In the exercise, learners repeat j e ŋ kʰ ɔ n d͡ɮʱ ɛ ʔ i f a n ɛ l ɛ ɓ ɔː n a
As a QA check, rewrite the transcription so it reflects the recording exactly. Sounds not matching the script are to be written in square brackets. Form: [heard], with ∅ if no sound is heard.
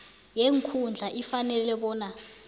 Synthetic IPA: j e ŋ kʰ [u] n d͡ɮʱ [a] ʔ i f a n ɛ l ɛ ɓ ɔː n a